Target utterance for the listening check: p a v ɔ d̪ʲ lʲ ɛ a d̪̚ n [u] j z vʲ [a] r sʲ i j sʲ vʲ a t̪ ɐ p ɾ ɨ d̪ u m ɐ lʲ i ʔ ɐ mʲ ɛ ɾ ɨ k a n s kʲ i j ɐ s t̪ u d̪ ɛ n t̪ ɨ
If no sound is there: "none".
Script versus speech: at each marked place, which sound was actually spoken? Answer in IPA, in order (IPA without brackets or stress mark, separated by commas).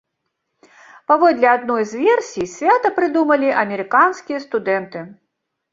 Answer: ɔ, ɛ